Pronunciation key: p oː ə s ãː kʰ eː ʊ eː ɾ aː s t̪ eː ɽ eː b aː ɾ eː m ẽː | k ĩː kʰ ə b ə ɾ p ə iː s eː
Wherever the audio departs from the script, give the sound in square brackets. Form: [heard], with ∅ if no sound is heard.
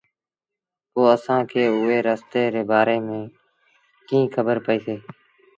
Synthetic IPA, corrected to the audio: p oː ə s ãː kʰ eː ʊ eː ɾ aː s t̪ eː [ɾ] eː b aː ɾ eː m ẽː | k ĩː kʰ ə b ə ɾ p ə iː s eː